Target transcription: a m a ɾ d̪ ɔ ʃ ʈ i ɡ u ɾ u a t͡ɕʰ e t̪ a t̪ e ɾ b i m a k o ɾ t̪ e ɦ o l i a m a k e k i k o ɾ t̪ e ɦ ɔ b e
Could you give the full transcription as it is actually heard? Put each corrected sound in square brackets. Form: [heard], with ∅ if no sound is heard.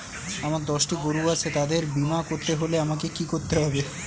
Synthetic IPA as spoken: a m a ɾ d̪ ɔ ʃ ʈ i ɡ [o] ɾ u a t͡ɕʰ e t̪ a [d̪] e ɾ b i m a k o ɾ t̪ e ɦ o l [e] a m a k e k i k o ɾ t̪ e ɦ ɔ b e